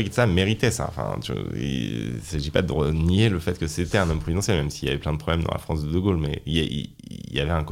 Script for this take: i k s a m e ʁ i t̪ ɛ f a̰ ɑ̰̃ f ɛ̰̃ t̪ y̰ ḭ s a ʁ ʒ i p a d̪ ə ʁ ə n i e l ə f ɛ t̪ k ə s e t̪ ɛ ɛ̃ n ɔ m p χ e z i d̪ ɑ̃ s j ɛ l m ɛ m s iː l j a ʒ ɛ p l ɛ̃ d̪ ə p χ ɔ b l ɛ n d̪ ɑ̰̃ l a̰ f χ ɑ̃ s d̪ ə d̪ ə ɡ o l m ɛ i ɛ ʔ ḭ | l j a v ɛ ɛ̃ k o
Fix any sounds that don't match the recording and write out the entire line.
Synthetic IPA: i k s a m e ʁ i t̪ ɛ s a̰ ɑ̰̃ f ɛ̰̃ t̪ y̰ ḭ s a ʒ i p a d̪ ə ʁ ə n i e l ə f ɛ t̪ k ə s e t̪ ɛ ɛ̃ n ɔ m p χ e z i d̪ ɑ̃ s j ɛ l m ɛ m s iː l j a v ɛ p l ɛ̃ d̪ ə p χ ɔ b l ɛ m d̪ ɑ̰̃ l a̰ f χ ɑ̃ s d̪ ə d̪ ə ɡ o l m ɛ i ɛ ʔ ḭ | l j a v ɛ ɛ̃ k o